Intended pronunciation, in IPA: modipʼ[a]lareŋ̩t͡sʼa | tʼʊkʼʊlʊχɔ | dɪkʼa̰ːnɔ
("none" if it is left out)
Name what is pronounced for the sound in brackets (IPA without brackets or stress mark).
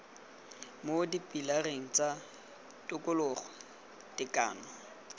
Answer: i